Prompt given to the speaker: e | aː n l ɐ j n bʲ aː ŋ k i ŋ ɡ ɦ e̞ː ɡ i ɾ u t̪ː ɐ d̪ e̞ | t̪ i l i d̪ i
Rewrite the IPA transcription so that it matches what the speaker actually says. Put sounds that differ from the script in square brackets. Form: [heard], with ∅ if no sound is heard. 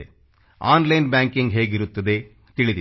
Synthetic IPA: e | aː n l ɐ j n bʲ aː ŋ k i ŋ ɡ ɦ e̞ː ɡ i ɾ u t̪ː ɐ d̪ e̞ | t̪ i [ɭ] i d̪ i